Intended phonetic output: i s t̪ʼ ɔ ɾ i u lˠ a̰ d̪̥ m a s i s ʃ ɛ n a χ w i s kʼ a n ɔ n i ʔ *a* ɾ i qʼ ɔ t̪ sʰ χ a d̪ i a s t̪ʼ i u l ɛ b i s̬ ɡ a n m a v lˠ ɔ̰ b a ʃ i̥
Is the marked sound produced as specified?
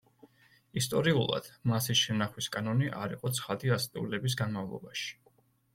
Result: yes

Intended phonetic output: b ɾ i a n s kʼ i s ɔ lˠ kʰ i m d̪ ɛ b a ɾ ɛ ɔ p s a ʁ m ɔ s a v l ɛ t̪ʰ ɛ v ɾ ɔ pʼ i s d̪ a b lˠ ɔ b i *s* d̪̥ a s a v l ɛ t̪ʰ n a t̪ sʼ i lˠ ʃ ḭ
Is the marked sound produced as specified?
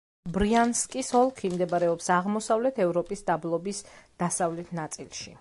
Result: yes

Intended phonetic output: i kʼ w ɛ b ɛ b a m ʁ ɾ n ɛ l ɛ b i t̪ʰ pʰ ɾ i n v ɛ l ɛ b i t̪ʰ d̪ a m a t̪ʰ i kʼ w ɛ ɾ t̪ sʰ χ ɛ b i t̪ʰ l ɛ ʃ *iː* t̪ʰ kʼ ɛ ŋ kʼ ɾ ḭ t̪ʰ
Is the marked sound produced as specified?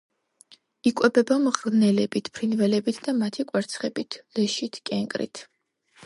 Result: no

